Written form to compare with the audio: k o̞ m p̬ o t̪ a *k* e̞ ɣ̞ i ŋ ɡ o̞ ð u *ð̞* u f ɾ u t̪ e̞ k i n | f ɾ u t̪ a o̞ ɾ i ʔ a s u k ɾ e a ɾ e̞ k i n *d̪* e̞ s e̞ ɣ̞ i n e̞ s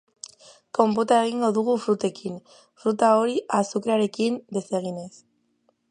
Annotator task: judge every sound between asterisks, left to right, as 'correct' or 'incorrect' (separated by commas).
incorrect, incorrect, correct